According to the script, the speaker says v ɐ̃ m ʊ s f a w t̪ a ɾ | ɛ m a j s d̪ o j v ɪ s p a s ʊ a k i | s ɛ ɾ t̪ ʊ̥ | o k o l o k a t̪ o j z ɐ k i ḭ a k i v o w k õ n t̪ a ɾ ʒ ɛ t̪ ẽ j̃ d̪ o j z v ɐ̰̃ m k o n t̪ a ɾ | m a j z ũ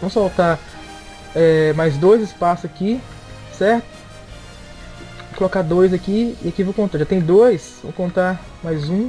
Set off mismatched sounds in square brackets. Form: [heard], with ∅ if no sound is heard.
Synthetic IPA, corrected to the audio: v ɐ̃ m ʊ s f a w t̪ a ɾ | ɛ m a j [z] d̪ o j [z] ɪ s p a s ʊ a k i | s ɛ ɾ t̪ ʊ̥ | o k o l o k a [d̪] o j z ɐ k i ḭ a k i v o w k õ n t̪ a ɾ ʒ [a] t̪ ẽ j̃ d̪ o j [s] v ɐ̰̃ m k [õ] n t̪ a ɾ | m a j z ũ